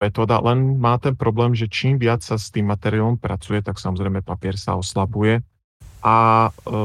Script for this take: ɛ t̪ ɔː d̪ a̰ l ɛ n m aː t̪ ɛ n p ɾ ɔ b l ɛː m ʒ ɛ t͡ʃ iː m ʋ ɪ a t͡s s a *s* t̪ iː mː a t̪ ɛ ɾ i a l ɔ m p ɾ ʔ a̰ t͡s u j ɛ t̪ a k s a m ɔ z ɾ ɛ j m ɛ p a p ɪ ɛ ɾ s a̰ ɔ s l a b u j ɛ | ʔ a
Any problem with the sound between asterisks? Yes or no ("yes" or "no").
no